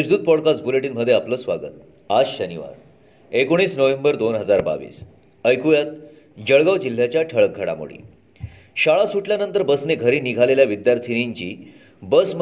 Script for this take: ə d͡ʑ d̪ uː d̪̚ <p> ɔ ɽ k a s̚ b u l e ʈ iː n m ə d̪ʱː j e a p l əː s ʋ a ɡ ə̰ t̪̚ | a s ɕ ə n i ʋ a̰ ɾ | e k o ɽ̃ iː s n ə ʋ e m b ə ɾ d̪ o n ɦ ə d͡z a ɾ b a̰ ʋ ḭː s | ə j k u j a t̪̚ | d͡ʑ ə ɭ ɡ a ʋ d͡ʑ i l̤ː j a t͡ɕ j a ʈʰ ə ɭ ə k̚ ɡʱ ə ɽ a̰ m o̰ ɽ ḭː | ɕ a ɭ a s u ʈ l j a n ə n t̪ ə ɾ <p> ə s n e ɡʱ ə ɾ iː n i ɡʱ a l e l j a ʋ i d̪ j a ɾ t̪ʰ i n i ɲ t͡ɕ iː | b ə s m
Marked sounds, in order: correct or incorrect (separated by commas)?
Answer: correct, incorrect